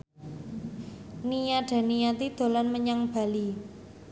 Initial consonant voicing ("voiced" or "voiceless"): voiced